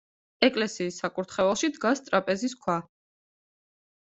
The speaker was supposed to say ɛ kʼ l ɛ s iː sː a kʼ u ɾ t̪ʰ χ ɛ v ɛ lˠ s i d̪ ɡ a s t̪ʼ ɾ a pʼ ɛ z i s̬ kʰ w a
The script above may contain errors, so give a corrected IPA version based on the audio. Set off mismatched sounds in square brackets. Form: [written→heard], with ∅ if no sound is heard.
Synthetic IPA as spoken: ɛ kʼ l ɛ s iː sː a kʼ u ɾ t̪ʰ χ ɛ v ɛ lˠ [s→ʃ] i d̪ ɡ a s t̪ʼ ɾ a pʼ ɛ z i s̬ kʰ w a